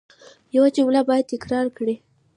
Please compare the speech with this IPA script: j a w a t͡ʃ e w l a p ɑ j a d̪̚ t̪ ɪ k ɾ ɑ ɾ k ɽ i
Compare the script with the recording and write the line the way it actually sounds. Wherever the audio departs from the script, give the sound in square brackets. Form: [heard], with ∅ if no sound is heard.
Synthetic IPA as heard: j a w a t͡ʃ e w l a [b] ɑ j a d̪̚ t̪ ɪ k ɾ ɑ ɾ k ɽ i

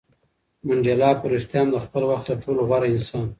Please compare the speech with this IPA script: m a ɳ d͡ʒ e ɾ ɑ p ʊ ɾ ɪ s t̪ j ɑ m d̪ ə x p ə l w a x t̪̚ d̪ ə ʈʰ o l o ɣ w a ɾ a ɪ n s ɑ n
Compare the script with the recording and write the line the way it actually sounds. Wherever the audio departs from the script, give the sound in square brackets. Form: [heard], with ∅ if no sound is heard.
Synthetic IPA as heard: m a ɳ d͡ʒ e [l] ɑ p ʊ ɾ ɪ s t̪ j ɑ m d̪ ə x p ə l w a x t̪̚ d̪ ə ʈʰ o l o ɣ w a ɾ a ɪ n s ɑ n

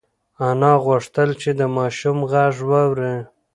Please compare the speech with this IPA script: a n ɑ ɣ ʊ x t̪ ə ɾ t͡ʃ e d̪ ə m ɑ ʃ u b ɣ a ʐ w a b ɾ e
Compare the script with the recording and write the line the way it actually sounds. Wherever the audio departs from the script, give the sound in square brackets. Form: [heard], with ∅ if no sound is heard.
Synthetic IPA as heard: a n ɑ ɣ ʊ [ʂ] t̪ ə [l] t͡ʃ e d̪ ə m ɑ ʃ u [m] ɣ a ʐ w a [w] ɾ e

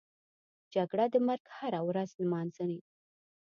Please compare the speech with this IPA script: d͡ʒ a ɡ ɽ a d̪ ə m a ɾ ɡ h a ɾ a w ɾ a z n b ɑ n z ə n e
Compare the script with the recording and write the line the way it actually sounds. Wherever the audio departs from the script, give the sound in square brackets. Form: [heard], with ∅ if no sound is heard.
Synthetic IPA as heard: d͡ʒ a ɡ ɽ a d̪ ə m a ɾ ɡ h a ɾ a w ɾ a z n [m] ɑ n z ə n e

